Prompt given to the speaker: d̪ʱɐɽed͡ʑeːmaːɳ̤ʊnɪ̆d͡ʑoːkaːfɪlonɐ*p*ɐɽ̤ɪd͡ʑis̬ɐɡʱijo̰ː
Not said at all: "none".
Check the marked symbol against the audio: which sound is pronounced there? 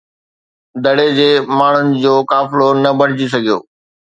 b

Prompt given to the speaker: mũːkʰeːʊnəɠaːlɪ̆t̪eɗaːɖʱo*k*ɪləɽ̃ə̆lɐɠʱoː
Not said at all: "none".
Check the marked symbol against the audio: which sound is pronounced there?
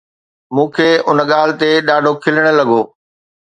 kʰ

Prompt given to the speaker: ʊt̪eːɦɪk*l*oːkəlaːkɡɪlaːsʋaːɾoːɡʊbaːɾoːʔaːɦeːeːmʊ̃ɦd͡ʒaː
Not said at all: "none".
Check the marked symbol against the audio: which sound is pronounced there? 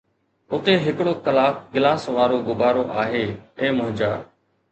ɽ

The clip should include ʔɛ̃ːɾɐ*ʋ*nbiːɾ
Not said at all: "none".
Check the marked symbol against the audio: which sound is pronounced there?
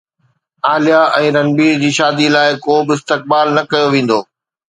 none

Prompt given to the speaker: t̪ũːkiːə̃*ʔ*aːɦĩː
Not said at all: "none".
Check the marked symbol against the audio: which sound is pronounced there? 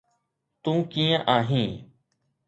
ʔ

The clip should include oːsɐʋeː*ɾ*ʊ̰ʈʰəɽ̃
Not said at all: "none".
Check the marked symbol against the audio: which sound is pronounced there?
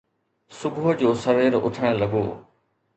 ɾ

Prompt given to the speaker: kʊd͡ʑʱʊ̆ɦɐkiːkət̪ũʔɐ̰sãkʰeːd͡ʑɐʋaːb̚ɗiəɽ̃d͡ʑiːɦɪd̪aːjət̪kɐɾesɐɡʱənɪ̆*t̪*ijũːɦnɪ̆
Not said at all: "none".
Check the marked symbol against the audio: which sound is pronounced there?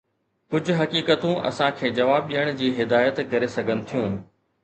t̪ʰ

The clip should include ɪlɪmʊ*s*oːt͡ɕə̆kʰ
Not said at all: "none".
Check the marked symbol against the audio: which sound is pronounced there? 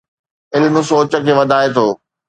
s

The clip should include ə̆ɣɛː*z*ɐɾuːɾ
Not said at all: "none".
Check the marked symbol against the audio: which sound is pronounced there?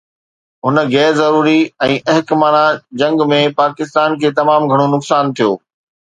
z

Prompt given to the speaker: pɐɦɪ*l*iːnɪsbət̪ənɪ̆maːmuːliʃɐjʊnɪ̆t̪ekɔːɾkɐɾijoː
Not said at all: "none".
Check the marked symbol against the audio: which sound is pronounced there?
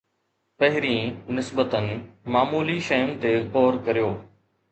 ɾ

